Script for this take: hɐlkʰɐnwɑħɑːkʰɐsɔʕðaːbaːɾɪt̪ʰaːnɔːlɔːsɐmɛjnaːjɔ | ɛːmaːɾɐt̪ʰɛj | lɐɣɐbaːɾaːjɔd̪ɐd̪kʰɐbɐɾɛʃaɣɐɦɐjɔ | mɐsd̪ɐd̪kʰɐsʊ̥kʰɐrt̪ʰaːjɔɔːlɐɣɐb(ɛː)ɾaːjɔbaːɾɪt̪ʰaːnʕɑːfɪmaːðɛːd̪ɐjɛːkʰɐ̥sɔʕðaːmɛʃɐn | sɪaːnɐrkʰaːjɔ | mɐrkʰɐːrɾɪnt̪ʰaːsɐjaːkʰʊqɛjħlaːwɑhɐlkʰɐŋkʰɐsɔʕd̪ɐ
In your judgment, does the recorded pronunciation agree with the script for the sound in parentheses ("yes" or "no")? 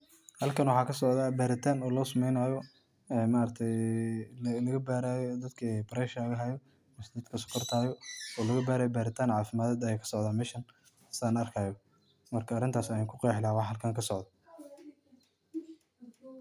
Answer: no